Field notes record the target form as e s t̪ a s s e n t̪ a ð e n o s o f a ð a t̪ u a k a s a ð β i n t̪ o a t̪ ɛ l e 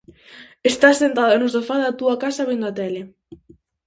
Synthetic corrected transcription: e s t̪ a s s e n t̪ a ð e n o s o f a ð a t̪ u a k a s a β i n d̪ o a t̪ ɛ l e